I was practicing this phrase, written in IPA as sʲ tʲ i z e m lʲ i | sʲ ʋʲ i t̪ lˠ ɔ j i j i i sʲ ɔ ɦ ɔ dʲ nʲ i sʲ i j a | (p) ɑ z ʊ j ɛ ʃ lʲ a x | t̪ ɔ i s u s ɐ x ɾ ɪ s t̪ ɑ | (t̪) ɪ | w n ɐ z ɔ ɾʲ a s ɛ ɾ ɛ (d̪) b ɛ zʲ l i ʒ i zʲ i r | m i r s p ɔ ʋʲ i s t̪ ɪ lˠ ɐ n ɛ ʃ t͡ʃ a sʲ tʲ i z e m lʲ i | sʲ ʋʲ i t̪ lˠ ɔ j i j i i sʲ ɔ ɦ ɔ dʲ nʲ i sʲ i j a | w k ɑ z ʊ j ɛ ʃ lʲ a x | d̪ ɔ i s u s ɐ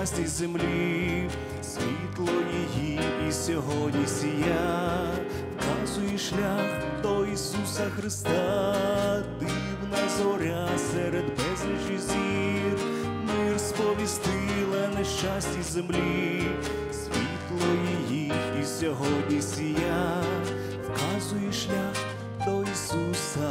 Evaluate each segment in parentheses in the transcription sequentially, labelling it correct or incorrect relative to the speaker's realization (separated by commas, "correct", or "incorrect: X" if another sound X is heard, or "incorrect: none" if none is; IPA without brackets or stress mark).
incorrect: k, incorrect: d̪, correct